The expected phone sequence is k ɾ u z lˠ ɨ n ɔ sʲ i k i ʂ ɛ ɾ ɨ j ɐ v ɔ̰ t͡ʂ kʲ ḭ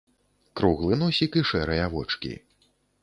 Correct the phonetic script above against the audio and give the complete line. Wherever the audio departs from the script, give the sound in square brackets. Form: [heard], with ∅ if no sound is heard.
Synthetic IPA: k ɾ u [ɣ] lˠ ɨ n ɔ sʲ i k i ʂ ɛ ɾ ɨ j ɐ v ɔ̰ t͡ʂ kʲ ḭ